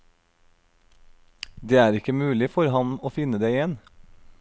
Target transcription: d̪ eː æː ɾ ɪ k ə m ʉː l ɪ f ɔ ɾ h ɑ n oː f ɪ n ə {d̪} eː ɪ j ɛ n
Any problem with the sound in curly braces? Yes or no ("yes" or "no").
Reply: no